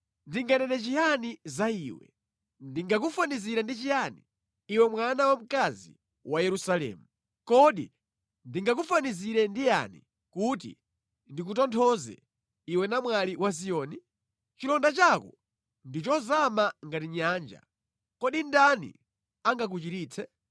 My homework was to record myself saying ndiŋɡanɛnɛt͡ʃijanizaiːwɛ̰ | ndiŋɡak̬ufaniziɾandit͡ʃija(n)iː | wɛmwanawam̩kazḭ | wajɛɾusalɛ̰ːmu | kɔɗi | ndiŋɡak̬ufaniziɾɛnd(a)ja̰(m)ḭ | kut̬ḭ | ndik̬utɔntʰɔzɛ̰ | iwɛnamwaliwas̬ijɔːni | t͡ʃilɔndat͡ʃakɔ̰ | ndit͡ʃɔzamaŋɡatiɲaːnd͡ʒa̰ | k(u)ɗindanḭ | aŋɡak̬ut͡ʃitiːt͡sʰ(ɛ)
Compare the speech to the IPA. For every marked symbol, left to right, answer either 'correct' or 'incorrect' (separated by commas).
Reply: correct, incorrect, incorrect, incorrect, correct